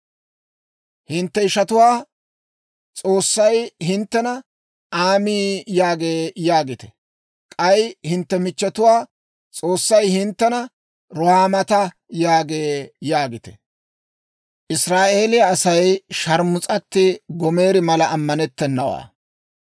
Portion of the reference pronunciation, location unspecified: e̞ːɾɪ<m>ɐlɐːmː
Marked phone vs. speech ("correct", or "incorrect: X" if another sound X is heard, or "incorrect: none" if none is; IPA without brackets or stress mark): correct